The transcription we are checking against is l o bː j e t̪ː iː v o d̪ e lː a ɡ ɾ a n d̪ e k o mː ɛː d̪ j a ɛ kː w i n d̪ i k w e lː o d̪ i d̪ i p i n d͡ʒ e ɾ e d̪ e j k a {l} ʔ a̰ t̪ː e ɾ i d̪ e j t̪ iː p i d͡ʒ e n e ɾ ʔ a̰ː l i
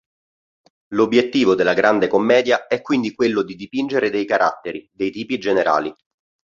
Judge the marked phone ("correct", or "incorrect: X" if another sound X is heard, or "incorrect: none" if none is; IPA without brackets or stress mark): incorrect: ɾ